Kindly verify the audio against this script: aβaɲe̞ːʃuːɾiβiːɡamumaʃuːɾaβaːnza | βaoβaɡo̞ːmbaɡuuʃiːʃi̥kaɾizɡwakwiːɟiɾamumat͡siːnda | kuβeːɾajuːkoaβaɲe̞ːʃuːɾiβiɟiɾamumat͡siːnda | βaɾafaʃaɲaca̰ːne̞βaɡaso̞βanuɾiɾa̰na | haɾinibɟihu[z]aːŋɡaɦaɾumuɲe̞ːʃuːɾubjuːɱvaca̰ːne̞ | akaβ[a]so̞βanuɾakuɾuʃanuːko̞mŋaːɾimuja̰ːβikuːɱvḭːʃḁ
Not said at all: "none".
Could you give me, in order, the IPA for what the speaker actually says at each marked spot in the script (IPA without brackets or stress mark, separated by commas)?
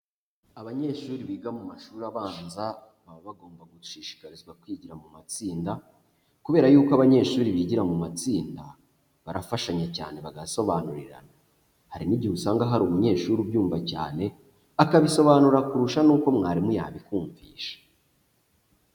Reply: s, i